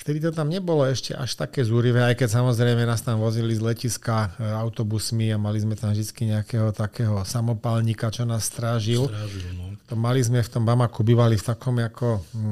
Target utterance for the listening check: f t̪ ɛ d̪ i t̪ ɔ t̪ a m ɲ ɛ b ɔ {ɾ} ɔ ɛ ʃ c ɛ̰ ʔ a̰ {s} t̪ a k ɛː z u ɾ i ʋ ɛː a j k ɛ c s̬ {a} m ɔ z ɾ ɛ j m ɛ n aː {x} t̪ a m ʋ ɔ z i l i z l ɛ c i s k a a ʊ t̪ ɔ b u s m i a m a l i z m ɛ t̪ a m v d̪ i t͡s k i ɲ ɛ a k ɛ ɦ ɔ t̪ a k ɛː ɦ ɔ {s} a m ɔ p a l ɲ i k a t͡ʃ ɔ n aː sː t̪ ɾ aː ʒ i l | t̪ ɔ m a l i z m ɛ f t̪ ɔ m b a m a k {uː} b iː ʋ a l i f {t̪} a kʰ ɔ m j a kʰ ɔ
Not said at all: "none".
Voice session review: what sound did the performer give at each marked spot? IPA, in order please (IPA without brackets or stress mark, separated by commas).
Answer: l, ʃ, a, s, s, u, t̪